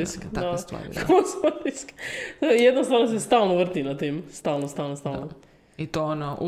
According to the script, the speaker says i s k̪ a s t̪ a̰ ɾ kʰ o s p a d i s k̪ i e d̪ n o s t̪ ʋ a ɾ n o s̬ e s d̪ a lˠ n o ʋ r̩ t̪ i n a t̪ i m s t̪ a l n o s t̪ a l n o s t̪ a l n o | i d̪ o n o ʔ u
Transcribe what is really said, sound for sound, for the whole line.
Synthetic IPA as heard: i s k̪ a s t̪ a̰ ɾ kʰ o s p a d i s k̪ j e d̪ n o s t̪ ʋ a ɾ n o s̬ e s t̪ a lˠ n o ʋ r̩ t̪ i n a t̪ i m s t̪ a l n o s t̪ a l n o s t̪ a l n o | i t̪ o n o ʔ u